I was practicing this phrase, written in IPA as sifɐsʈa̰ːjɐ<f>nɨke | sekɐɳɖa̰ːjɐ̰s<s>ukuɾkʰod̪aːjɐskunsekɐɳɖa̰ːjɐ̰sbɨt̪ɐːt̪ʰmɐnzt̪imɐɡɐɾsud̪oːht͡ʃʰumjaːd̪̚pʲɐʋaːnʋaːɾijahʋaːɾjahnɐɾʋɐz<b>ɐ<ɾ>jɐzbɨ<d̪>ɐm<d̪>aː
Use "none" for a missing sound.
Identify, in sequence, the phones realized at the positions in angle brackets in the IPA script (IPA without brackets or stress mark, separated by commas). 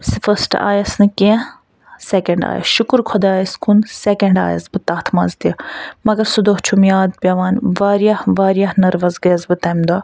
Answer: s, ʃ, ɡ, none, t̪, d̪